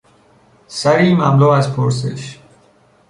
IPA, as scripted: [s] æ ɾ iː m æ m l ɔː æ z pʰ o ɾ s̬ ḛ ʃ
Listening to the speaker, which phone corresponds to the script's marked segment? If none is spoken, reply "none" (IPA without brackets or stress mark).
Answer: s